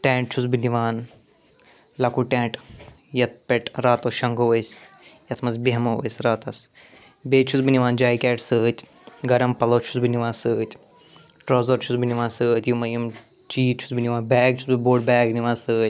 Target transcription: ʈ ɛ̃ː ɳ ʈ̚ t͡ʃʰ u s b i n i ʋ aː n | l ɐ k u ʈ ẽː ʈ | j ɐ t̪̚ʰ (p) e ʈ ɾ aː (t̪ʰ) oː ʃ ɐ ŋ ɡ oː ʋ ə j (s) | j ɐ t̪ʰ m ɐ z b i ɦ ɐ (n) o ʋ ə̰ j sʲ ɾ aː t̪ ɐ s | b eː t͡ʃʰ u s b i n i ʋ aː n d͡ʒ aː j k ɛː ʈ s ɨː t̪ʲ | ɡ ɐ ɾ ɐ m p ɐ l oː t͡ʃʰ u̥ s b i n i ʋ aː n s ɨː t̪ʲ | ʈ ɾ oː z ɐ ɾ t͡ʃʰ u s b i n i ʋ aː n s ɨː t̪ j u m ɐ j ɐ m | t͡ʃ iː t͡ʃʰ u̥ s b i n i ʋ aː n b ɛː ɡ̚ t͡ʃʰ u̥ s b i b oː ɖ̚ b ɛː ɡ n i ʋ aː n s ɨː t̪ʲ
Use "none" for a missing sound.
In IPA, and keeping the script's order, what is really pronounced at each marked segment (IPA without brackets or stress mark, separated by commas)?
p, t̪, s, m